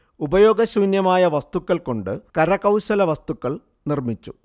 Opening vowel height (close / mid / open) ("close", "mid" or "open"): close